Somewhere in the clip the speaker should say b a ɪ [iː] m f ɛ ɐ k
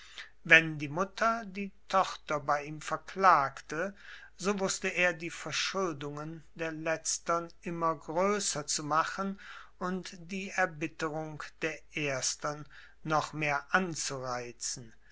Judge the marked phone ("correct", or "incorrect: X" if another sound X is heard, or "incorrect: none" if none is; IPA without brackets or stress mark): correct